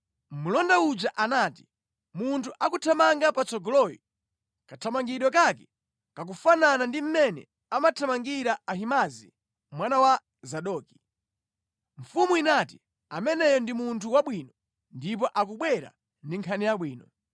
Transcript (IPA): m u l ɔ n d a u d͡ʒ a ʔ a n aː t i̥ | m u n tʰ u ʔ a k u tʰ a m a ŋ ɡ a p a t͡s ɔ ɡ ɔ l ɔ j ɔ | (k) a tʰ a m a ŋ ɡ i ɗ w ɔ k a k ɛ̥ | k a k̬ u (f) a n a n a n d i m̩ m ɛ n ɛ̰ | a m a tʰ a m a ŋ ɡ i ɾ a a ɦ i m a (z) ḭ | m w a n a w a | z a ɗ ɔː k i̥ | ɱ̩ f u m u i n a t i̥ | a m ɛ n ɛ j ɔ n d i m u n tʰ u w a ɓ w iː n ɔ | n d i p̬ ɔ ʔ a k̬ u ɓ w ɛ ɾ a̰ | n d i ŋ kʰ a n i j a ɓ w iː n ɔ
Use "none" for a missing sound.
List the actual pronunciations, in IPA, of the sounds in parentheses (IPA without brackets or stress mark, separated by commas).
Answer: k, f, z